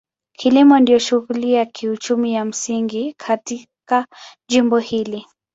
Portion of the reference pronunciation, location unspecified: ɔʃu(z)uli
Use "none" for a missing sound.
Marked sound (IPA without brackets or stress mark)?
ɣ